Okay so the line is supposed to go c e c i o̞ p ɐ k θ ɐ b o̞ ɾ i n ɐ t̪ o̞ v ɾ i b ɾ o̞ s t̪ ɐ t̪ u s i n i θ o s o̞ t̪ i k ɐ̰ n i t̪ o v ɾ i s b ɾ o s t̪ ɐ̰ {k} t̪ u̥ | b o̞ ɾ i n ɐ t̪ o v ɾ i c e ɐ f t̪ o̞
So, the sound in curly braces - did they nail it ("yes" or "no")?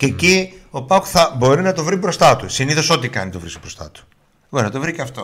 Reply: no